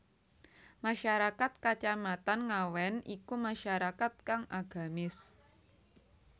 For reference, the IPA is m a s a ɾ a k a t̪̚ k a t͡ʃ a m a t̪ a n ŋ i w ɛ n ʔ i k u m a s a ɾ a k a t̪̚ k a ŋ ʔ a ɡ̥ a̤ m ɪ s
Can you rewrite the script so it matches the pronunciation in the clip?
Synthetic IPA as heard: m a ʃ a ɾ a k a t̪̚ k a t͡ʃ a m a t̪ a n ŋ a w ɛ n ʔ i k u m a ʃ a ɾ a k a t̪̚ k a ŋ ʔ a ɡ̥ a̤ m ɪ s